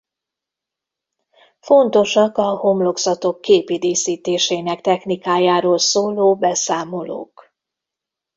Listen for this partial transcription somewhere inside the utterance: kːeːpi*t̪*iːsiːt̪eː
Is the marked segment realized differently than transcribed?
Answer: yes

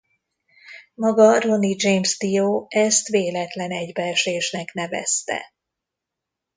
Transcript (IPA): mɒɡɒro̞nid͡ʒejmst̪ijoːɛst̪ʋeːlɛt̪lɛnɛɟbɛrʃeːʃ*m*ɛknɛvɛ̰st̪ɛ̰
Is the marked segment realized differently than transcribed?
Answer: yes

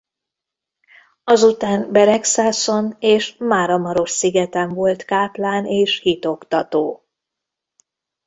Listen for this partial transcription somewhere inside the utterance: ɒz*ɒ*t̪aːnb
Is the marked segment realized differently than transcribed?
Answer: yes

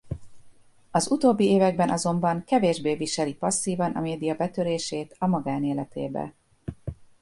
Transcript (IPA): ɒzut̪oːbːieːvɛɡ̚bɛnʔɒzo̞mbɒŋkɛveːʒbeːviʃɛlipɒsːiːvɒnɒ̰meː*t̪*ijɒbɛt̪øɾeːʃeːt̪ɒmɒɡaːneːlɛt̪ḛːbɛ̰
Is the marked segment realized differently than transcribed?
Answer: yes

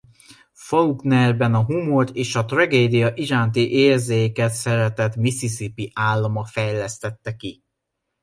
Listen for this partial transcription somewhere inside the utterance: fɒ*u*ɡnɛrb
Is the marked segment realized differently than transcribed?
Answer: no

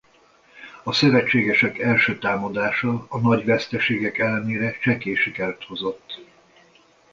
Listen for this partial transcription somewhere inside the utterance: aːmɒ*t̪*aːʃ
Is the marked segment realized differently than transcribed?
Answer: yes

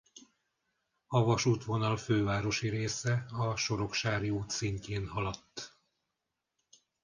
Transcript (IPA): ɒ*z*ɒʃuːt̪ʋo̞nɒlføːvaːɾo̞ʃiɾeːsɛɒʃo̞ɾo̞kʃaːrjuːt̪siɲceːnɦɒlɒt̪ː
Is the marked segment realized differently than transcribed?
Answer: yes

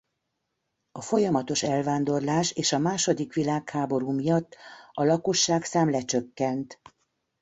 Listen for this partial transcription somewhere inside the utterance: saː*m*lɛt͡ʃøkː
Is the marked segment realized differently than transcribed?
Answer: no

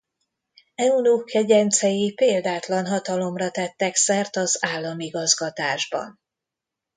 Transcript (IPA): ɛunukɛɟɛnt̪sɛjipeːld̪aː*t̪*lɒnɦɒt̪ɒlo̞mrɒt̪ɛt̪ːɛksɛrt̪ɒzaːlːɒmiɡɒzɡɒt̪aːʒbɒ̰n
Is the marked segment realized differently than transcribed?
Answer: no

